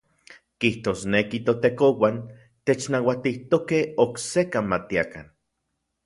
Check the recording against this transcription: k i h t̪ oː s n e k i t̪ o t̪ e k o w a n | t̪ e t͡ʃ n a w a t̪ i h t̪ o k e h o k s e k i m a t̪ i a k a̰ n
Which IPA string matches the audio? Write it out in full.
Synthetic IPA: k i h t̪ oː s n e k i t̪ o t̪ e k o w a n | t̪ e t͡ʃ n a w a t̪ i h t̪ o k e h o k s e k a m a t̪ i a k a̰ n